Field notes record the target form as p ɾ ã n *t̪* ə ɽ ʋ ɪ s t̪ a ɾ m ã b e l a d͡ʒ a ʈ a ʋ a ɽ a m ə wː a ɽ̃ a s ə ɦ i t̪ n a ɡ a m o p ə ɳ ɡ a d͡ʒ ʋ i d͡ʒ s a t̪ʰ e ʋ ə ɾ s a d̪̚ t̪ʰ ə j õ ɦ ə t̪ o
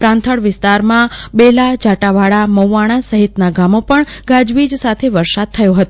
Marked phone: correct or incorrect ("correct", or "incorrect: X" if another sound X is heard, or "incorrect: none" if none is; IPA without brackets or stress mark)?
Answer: incorrect: t̪ʰ